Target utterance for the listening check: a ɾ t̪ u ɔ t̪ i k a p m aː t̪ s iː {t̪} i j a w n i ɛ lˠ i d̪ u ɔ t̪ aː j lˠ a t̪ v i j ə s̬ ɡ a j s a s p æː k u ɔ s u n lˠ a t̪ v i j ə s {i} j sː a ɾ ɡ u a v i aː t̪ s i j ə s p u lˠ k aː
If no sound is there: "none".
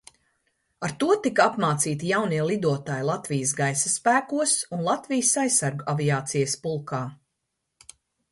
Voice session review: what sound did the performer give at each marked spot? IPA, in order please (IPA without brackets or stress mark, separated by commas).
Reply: t̪, a